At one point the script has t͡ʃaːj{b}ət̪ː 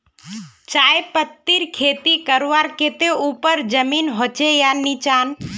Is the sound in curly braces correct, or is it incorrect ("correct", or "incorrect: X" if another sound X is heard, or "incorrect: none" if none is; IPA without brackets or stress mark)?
incorrect: p